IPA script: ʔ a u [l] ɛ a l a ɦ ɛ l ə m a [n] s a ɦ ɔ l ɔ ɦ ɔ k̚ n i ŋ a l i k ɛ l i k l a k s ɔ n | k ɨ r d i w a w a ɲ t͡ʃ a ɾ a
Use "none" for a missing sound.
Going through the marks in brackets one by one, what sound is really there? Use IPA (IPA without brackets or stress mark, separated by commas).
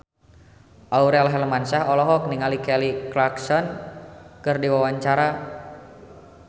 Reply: ɾ, n